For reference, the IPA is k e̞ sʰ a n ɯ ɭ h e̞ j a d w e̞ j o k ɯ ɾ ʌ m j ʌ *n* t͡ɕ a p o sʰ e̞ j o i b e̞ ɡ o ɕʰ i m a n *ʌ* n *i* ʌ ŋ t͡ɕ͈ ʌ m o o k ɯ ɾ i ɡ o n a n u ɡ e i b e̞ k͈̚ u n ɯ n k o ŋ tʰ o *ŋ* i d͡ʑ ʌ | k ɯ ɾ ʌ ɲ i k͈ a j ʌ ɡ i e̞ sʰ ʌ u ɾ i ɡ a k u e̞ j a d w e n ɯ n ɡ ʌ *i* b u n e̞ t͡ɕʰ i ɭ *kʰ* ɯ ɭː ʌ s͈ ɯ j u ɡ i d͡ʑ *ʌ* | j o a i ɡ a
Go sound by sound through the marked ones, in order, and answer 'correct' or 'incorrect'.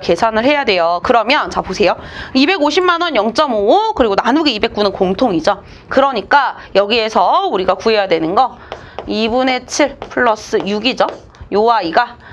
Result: correct, correct, incorrect, correct, correct, incorrect, correct

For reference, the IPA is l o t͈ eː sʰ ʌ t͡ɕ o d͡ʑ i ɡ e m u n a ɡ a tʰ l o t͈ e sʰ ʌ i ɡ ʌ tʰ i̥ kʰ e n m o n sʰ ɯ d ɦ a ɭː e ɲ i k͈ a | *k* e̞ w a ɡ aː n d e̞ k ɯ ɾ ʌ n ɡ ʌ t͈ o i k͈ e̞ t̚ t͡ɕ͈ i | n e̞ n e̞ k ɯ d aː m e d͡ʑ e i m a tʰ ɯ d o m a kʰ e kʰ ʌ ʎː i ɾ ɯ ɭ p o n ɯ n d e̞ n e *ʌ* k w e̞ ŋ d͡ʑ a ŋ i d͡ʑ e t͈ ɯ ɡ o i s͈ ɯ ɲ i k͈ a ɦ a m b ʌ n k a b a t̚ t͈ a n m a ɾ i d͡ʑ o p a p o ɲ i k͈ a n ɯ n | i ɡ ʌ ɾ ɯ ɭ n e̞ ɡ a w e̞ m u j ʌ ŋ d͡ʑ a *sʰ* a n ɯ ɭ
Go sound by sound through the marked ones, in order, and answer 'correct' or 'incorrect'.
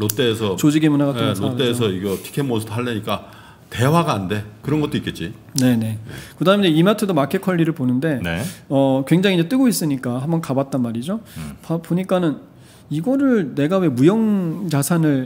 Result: incorrect, correct, correct

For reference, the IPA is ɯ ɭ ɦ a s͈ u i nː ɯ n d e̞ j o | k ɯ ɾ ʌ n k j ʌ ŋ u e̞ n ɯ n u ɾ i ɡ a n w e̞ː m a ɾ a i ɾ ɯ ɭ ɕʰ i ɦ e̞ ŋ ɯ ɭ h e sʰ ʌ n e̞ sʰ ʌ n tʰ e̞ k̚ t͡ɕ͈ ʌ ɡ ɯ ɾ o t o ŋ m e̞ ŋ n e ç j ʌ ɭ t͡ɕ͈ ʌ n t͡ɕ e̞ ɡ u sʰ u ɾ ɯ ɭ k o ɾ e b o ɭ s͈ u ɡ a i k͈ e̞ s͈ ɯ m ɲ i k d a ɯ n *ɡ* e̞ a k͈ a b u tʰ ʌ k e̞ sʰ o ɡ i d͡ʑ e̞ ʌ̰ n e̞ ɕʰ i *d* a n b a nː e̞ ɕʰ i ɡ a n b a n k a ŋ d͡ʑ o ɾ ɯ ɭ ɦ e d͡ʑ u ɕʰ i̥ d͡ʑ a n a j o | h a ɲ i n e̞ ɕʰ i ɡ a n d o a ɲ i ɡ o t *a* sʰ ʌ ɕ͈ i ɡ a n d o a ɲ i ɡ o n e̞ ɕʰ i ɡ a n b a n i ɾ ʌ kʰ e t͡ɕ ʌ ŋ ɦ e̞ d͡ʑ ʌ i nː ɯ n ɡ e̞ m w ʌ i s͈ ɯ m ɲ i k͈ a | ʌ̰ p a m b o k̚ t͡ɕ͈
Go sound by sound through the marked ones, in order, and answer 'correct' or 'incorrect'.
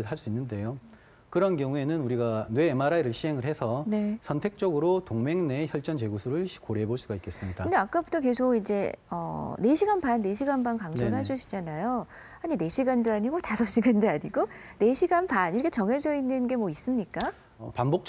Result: incorrect, incorrect, correct

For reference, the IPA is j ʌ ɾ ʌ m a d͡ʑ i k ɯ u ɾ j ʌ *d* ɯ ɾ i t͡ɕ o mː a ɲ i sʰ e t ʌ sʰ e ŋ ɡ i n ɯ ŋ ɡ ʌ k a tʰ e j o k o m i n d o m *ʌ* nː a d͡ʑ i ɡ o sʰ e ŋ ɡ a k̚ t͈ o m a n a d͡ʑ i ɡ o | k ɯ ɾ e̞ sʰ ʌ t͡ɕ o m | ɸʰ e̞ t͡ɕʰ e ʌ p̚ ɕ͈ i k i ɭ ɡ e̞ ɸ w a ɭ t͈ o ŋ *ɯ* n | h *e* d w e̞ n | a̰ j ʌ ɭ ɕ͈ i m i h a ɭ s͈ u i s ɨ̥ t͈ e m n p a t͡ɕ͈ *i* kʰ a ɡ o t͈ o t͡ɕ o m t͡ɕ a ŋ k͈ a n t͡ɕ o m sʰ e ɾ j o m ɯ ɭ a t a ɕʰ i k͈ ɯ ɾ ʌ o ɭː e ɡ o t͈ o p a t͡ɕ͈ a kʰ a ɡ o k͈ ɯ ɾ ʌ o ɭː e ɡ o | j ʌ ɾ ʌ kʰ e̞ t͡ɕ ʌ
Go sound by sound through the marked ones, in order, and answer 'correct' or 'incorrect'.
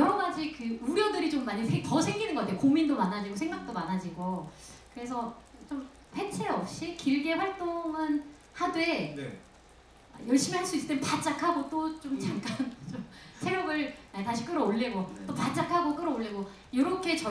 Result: correct, incorrect, correct, incorrect, incorrect

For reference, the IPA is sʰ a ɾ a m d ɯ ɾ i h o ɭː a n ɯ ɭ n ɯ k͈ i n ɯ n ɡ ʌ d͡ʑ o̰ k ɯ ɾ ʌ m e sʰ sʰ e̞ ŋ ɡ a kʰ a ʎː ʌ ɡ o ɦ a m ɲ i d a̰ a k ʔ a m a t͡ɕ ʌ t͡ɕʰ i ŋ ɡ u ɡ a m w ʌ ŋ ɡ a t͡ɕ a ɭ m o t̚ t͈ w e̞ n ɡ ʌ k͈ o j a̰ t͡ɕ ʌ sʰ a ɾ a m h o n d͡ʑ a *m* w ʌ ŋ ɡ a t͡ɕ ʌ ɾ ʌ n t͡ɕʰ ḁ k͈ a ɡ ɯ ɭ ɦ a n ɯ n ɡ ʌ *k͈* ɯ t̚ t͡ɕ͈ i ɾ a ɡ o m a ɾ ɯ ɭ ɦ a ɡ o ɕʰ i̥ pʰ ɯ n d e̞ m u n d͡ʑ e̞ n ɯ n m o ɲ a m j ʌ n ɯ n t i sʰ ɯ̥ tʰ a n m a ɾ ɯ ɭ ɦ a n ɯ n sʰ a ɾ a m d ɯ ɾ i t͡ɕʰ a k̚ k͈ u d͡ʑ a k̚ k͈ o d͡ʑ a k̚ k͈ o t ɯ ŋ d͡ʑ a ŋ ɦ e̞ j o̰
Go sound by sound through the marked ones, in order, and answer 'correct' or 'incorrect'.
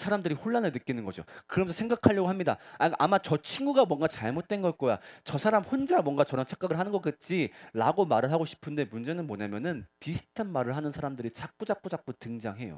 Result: correct, correct

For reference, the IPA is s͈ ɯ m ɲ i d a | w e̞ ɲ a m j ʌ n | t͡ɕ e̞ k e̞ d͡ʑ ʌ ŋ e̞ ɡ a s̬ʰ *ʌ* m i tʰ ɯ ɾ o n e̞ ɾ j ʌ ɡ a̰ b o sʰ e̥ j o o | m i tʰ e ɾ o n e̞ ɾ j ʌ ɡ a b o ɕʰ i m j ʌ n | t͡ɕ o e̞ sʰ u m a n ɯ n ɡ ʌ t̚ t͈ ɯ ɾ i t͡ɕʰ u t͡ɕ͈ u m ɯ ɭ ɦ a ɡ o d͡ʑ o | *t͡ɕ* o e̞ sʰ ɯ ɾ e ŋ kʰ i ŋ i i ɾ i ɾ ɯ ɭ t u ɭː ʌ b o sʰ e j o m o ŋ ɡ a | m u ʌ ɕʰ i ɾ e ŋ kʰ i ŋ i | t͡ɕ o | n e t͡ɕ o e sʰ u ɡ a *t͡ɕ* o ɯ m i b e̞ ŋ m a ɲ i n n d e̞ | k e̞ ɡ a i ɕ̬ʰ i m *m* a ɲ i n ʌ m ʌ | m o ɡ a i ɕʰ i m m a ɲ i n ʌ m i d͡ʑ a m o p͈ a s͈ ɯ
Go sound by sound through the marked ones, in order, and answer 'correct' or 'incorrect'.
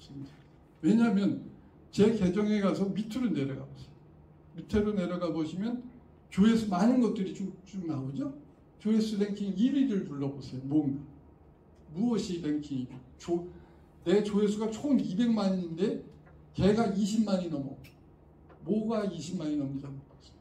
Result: correct, correct, incorrect, correct

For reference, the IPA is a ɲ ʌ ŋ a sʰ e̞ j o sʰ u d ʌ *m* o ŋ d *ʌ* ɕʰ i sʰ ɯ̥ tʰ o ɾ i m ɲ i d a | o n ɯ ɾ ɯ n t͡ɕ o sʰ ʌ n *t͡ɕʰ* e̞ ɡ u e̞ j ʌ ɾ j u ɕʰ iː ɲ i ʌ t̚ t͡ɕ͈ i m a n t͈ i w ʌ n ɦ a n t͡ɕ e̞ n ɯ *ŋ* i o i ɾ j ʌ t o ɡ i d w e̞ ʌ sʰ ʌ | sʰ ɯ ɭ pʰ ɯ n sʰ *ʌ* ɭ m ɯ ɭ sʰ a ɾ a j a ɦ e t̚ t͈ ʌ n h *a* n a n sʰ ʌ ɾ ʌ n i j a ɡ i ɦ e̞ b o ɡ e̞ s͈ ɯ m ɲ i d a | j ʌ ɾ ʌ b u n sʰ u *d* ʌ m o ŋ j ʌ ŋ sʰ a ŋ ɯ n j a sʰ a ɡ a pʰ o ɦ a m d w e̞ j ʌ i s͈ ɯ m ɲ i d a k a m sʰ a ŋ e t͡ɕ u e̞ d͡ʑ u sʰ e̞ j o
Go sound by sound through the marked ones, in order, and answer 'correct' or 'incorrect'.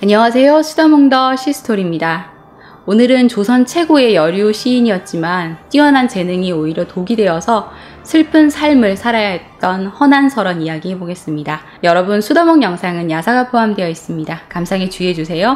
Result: correct, correct, correct, correct, incorrect, incorrect, correct

